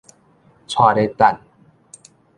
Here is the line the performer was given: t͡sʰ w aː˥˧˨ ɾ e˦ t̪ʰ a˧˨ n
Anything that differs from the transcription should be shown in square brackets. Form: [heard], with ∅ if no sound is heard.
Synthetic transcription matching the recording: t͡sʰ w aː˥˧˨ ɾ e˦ [t̪] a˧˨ n